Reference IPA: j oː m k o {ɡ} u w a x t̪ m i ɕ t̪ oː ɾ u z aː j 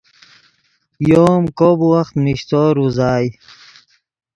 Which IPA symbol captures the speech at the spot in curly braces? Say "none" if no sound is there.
b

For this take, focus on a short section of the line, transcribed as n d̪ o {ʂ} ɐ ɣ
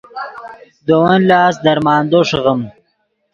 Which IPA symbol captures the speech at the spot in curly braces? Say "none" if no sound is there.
ʂ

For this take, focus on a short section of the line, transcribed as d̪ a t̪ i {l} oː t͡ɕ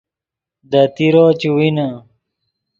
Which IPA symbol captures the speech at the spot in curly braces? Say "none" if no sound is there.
ɾ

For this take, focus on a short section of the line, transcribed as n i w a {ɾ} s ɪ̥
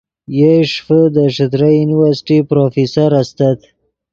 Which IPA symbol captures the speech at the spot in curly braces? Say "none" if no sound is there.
ɾ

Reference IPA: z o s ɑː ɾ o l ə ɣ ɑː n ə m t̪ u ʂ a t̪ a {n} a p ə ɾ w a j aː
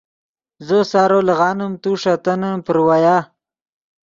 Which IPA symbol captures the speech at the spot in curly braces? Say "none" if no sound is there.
n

